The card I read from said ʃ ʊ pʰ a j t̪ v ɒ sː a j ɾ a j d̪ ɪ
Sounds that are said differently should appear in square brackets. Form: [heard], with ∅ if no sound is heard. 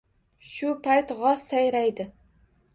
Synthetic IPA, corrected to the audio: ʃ ʊ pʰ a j t̪ [ʁ] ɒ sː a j ɾ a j d̪ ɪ